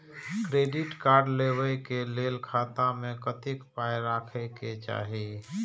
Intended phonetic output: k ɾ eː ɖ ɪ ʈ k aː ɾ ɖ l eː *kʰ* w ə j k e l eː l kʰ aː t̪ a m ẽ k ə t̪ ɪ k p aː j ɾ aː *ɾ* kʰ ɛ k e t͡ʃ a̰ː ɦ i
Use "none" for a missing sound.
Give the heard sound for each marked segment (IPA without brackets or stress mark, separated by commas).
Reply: none, none